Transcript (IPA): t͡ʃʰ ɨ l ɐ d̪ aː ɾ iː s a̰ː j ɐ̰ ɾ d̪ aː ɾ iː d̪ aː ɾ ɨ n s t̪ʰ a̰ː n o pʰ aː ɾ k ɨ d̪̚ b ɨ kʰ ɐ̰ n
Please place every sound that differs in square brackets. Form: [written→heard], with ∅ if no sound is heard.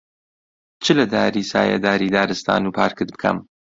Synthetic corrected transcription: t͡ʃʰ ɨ l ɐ d̪ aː ɾ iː s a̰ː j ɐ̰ [ɾ→∅] d̪ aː ɾ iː d̪ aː ɾ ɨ [n→∅] s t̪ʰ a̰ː n [o→u] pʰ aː ɾ k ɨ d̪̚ b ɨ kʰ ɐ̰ [n→m]